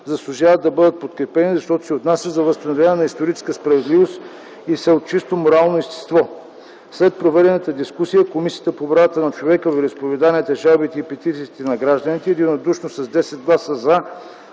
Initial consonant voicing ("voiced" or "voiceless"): voiced